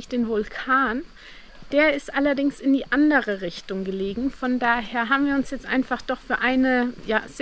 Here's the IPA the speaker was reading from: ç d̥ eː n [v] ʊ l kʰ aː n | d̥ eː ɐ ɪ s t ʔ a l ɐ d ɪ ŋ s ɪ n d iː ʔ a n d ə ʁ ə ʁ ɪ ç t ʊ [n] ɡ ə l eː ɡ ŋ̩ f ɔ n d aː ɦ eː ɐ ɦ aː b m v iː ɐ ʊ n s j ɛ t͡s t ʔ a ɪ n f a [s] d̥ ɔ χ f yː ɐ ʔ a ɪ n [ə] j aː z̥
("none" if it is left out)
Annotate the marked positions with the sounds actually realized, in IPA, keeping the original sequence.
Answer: v, ŋ, χ, ə

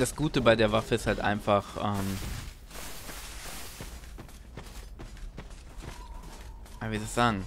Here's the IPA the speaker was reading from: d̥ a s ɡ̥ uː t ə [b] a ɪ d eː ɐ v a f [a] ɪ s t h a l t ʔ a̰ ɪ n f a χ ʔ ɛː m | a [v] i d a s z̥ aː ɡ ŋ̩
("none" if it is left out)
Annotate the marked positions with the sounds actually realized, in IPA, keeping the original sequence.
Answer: b, ə, v

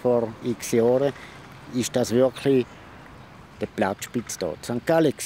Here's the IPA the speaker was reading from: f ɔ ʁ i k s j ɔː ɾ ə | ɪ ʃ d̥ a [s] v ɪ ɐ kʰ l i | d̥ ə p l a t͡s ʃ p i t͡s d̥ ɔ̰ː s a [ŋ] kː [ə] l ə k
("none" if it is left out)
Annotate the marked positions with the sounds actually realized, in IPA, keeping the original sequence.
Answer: s, ŋ, a

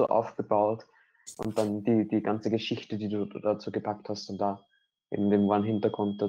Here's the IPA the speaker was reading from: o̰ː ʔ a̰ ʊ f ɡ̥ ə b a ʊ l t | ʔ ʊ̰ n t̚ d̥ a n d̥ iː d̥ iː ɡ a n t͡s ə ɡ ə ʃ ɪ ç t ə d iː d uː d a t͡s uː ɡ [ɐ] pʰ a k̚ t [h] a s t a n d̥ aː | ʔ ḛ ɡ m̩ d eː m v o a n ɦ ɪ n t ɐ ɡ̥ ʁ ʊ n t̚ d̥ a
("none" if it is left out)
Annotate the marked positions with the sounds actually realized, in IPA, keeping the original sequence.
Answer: ə, h

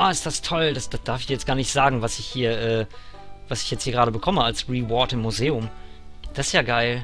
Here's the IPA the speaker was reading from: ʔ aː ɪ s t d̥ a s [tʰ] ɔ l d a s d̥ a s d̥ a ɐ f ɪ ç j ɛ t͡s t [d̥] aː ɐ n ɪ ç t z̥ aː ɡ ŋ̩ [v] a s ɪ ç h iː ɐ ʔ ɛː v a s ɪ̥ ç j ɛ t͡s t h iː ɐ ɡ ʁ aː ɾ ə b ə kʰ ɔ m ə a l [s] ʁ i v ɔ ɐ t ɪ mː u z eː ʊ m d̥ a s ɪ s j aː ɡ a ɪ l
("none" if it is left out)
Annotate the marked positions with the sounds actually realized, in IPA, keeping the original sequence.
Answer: tʰ, ɡ̥, v, s

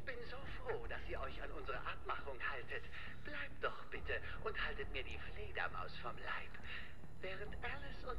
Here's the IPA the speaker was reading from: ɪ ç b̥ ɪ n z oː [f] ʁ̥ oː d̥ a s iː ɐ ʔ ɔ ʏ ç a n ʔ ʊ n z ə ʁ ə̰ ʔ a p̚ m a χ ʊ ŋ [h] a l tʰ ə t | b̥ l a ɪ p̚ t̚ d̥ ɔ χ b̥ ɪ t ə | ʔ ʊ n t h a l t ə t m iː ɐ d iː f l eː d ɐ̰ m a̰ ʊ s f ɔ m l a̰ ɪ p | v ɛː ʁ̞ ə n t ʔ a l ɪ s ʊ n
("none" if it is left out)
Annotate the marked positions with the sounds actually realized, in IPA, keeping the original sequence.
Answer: f, h

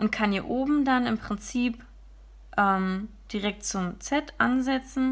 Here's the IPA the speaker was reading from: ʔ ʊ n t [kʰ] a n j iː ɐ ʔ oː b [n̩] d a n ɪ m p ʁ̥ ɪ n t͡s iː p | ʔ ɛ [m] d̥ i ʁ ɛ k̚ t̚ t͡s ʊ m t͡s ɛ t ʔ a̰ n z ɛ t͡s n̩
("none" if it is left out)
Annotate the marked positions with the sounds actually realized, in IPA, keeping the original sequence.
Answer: kʰ, m̩, m

